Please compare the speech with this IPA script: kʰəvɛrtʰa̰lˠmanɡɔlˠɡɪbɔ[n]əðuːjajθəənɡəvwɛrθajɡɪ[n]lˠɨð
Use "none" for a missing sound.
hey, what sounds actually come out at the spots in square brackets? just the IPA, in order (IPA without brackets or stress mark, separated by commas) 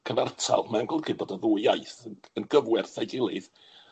d, none